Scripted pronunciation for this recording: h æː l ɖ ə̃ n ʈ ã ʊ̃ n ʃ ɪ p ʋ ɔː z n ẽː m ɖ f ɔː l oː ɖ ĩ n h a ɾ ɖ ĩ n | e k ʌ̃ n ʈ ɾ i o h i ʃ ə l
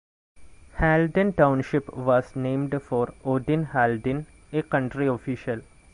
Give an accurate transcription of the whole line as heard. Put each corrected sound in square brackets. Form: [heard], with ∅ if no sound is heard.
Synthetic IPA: h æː l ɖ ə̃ n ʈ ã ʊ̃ n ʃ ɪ p ʋ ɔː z n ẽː m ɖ f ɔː [ɾ] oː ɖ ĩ n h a [l] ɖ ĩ n | e k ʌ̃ [ɳ] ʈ ɾ i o [f] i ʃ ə l